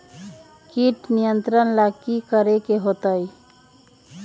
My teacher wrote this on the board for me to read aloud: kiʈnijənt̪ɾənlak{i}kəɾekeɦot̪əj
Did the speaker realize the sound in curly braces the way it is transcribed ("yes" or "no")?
yes